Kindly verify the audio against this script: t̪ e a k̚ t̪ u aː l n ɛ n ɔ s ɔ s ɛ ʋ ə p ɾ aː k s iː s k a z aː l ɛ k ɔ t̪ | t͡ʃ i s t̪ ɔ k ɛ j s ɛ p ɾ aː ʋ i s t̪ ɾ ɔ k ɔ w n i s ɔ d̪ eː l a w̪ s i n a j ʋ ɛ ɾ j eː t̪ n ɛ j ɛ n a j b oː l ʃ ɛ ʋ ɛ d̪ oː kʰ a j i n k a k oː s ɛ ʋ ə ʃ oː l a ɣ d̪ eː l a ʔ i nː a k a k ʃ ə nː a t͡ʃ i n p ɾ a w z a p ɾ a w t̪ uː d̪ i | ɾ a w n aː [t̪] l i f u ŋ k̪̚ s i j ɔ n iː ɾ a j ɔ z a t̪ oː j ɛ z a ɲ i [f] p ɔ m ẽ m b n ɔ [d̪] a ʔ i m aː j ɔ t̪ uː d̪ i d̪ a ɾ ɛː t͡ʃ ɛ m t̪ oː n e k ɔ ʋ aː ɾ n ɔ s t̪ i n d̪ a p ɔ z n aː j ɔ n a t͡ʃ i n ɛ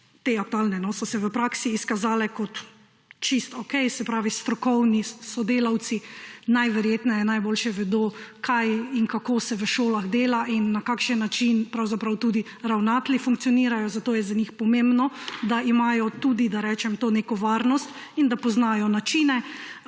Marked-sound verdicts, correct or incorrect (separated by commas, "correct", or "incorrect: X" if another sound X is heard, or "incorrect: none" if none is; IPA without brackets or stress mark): correct, incorrect: x, correct